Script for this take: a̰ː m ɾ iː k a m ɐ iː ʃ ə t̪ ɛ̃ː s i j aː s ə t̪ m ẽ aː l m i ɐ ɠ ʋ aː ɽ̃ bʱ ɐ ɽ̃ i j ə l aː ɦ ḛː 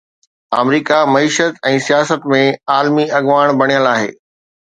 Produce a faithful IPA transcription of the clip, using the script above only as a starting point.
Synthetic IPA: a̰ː m ɾ iː k a m ɐ iː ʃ ə t̪ ɛ̃ː s i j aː s ə t̪ m ẽ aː l m i ɐ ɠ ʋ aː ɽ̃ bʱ ɐ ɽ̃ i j ə l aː ɦ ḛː

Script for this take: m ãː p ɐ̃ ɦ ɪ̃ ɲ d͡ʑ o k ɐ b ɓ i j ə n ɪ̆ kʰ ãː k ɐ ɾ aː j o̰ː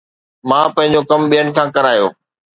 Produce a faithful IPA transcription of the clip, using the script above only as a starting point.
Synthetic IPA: m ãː p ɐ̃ ɦ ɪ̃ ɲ d͡ʑ o k ɐ m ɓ i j ə n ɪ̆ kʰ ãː k ɐ ɾ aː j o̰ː

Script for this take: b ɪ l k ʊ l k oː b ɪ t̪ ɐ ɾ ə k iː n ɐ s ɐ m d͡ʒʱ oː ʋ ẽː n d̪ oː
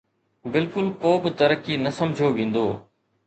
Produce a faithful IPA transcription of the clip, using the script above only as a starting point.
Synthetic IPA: b ɪ l k ʊ l k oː b ɪ t̪ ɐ ɾ ə k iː n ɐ s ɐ m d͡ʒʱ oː ʋ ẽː n d̪ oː

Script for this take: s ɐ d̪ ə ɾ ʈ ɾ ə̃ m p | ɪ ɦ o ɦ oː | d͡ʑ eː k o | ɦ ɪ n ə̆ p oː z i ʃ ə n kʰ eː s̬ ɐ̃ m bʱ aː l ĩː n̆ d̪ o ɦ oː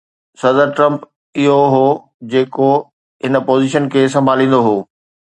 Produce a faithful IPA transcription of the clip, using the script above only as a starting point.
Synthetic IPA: s ɐ d̪ ə ɾ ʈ ɾ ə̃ m p | ɪ ɦ o ɦ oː | d͡ʑ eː k o | ɦ ɪ n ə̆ p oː z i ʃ ə n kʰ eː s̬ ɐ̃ m bʱ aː l ĩː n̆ d̪ o ɦ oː

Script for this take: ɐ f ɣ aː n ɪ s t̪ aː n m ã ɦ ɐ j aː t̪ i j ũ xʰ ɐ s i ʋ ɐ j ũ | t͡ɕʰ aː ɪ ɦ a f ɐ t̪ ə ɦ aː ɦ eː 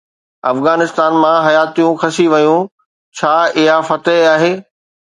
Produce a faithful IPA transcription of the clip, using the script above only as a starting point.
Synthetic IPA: ɐ f ɣ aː n ɪ s t̪ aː n m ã ɦ ɐ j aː t̪ i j ũ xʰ ɐ s i ʋ ɐ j ũ | t͡ɕʰ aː ɪ ɦ a f ɐ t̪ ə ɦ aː ɦ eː

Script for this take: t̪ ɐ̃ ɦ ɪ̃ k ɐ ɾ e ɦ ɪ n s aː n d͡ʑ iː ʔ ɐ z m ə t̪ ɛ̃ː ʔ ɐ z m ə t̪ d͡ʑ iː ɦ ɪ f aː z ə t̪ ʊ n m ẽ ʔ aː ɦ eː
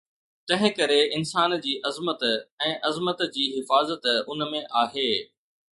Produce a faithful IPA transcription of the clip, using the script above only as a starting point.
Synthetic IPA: t̪ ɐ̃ ɦ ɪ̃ k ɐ ɾ e ɪ n s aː n d͡ʑ iː ʔ ɐ z m ə t̪ ɛ̃ː ʔ ɐ z m ə t̪ d͡ʑ iː ɦ ɪ f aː z ə t̪ ʊ n m ẽ ʔ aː ɦ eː

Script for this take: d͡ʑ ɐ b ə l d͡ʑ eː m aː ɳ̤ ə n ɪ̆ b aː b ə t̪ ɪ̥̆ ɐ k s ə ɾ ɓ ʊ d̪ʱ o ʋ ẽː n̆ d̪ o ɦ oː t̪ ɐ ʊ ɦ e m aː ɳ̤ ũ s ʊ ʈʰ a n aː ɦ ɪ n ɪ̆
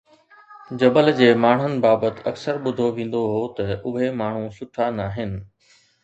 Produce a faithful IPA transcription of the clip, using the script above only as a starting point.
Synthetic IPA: d͡ʑ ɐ b ə l d͡ʑ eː m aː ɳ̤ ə n ɪ̆ b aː b ə t̪ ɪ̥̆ ɐ k s ə ɾ ɓ ʊ d̪ʱ o ʋ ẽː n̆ d̪ o ɦ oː t̪ ɐ ʊ ɦ e m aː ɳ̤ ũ s ʊ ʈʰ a n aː ɦ ɪ n ɪ̆

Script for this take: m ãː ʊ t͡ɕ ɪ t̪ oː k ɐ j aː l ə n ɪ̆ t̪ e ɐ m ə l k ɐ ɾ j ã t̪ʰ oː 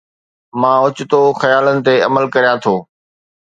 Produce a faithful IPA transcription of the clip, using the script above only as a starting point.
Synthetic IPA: m ãː ʊ t͡ɕ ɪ t̪ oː x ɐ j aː l ə n ɪ̆ t̪ e ɐ m ə l k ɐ ɾ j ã t̪ʰ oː

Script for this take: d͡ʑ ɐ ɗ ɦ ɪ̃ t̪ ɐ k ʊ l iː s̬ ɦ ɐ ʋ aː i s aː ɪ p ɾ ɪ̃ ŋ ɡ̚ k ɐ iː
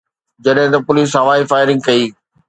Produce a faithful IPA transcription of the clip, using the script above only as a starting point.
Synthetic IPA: d͡ʑ ɐ ɗ ɦ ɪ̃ t̪ ɐ p ʊ l iː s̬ ɦ ɐ ʋ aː i f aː ɪ ɾ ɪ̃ ŋ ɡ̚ k ɐ iː

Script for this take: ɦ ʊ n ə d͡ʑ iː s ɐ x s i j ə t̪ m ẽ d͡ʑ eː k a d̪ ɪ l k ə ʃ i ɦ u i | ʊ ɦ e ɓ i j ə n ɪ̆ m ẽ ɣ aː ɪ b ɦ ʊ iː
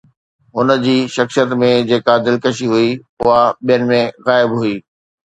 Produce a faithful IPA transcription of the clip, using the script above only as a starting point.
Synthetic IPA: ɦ ʊ n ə d͡ʑ iː ʃ ɐ x s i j ə t̪ m ẽ d͡ʑ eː k a d̪ ɪ l k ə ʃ i ɦ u i | ʊ ɦ a ɓ i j ə n ɪ̆ m ẽ ɣ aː ɪ b ɦ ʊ iː

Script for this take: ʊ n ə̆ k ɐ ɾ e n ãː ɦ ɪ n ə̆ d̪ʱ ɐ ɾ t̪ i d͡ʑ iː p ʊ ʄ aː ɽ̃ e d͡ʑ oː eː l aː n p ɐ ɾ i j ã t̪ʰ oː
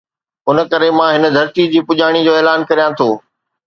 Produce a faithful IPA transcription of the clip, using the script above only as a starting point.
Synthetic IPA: ʊ n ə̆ k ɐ ɾ e m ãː ɦ ɪ n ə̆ d̪ʱ ɐ ɾ t̪ i d͡ʑ iː p ʊ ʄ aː ɽ̃ i d͡ʑ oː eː l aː n k ɐ ɾ i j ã t̪ʰ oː

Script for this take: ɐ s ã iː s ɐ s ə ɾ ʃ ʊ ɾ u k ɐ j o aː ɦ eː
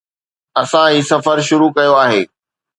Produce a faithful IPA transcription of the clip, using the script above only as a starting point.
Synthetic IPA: ɐ s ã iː s ɐ f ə ɾ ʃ ʊ ɾ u k ɐ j o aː ɦ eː

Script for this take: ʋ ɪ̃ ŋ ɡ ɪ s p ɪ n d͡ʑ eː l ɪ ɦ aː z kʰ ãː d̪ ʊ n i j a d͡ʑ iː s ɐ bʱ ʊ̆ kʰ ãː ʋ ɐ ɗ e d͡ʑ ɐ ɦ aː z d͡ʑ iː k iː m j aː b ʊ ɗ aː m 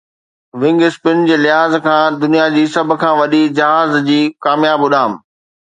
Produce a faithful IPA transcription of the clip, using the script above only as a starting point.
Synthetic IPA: ʋ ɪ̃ ŋ ɡ ɪ s p ɪ n d͡ʑ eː l ɪ ɦ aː z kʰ ãː d̪ ʊ n i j a d͡ʑ iː s ɐ bʱ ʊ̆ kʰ ãː ʋ ɐ ɗ i d͡ʑ ɐ ɦ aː z d͡ʑ iː k aː m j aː b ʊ ɗ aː m

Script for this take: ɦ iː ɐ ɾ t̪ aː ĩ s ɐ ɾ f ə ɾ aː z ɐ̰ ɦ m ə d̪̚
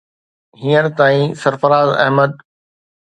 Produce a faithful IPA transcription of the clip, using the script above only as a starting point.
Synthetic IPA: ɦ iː ə ɾ t̪ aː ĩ s ɐ ɾ f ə ɾ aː z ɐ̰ ɦ m ə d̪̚

